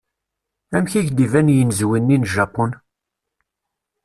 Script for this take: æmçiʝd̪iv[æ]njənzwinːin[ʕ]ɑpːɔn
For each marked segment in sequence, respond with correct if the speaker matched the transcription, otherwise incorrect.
correct, incorrect: ʒ

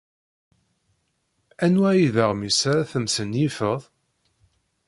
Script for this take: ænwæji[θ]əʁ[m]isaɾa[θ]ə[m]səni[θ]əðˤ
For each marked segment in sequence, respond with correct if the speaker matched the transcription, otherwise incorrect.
incorrect: ð, correct, correct, correct, incorrect: f

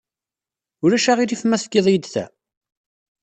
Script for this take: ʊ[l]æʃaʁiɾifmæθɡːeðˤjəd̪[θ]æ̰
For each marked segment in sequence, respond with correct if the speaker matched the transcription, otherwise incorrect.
incorrect: ɾ, correct

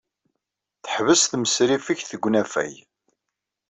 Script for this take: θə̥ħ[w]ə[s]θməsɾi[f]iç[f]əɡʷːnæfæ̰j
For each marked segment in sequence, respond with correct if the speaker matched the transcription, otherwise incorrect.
incorrect: v, correct, correct, incorrect: θ

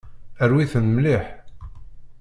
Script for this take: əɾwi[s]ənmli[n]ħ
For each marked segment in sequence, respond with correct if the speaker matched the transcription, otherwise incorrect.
incorrect: θ, incorrect: none

